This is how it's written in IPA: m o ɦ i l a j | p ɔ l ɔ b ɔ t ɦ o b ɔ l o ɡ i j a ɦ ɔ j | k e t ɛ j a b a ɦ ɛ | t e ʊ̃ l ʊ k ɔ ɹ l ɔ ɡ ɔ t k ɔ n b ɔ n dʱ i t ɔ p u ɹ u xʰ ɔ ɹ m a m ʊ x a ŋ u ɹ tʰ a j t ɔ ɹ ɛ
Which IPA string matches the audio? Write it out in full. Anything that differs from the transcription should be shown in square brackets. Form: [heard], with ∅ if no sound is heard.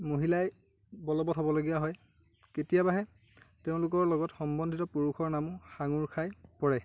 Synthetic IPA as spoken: m o ɦ i l a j | [b] ɔ l ɔ b ɔ t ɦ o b ɔ l o ɡ i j a ɦ ɔ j | k e t [i] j a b a ɦ ɛ | t e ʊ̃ l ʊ k ɔ ɹ l ɔ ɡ ɔ t [x] ɔ [m] b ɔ n dʱ i t ɔ p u ɹ u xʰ ɔ ɹ [n] a m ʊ x a ŋ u ɹ [kʰ] a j [p] ɔ ɹ ɛ